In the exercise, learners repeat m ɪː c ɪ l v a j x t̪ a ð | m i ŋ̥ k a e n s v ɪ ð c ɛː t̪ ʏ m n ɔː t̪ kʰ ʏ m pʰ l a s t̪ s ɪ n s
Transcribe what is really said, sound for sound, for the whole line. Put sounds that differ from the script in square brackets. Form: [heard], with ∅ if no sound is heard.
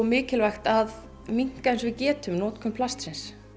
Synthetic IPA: m ɪː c ɪ l v a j x t̪ a ð | m i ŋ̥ k a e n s v ɪ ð c ɛː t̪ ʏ m n ɔː t̪ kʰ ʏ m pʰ l a s t̪ s ɪ n s